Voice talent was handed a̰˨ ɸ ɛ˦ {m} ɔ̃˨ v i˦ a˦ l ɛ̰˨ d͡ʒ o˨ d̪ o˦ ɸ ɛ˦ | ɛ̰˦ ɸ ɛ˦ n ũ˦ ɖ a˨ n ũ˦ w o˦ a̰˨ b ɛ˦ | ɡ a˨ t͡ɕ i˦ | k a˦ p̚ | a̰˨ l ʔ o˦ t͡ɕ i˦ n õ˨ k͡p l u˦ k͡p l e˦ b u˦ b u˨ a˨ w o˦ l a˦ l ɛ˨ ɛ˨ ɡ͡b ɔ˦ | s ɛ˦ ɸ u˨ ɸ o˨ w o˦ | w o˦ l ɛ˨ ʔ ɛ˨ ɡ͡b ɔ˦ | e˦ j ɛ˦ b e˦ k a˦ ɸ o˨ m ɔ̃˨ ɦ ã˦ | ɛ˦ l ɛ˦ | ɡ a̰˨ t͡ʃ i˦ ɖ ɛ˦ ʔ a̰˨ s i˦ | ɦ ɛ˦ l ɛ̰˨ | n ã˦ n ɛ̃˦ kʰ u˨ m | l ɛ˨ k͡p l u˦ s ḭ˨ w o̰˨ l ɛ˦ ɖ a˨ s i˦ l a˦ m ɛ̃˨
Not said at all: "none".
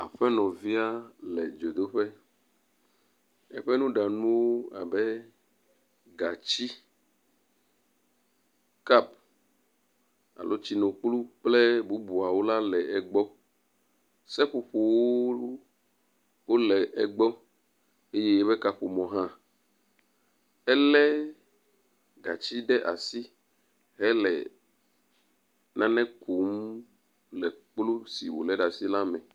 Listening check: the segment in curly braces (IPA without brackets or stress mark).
n